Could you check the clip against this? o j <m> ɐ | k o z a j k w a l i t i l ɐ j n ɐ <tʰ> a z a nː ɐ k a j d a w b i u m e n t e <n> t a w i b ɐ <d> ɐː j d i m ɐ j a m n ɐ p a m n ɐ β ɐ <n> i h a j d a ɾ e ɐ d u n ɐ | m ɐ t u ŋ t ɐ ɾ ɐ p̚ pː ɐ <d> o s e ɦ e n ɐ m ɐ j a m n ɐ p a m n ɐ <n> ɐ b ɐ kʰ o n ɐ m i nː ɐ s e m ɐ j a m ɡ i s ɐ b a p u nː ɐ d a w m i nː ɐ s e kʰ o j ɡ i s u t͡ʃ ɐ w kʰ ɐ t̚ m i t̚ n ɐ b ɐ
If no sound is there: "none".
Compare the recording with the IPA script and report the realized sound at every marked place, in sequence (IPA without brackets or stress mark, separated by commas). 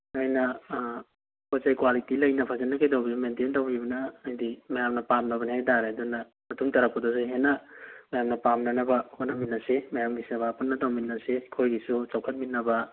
n, pʰ, n, n, n, d, n